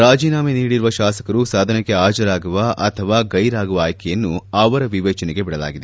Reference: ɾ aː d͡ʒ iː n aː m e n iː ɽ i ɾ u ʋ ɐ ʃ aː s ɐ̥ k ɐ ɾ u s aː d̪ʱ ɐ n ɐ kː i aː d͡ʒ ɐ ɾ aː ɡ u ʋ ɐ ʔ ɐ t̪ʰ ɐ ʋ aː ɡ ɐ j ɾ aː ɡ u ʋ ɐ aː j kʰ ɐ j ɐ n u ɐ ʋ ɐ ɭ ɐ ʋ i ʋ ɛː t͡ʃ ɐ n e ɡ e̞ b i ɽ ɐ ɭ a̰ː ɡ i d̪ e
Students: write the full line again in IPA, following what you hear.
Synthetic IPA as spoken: ɾ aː d͡ʒ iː n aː m e n iː ɽ i ɾ u ʋ ɐ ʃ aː s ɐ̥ k ɐ ɾ u s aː d̪ʱ ɐ n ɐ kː e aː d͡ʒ ɐ ɾ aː ɡ u ʋ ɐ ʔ ɐ t̪ʰ ɐ ʋ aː ɡ ɐ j ɾ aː ɡ u ʋ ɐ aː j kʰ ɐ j ɐ nː u ɐ ʋ ɐ ɾ ɐ ʋ i ʋ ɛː t͡ʃ ɐ n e ɡ e̞ b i ɽ ɐ l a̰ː ɡ i d̪ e